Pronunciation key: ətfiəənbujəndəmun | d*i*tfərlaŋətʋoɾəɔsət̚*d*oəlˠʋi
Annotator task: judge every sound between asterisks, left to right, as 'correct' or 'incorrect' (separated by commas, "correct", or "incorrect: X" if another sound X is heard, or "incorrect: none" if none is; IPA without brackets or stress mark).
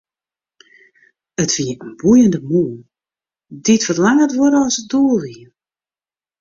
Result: correct, correct